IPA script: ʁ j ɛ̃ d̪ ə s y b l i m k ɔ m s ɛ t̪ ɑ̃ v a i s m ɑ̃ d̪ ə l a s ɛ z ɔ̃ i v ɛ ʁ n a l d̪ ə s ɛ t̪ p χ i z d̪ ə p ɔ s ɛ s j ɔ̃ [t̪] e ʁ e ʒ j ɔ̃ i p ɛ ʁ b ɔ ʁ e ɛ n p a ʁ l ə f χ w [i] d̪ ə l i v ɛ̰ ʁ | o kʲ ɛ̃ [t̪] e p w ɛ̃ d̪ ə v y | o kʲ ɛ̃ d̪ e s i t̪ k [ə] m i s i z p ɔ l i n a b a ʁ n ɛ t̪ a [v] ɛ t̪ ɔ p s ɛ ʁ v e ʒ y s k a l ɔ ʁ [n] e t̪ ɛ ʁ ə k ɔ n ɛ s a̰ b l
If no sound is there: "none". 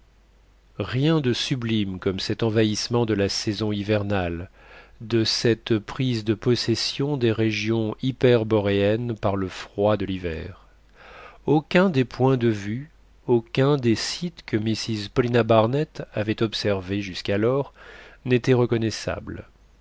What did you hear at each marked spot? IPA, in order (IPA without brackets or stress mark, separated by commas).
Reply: d̪, a, d̪, ə, v, n